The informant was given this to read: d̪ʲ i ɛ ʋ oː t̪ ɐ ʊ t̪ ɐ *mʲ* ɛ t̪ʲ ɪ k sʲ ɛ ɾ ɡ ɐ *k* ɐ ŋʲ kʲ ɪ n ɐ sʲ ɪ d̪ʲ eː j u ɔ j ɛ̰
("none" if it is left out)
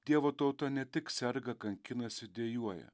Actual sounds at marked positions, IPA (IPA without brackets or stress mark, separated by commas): nʲ, k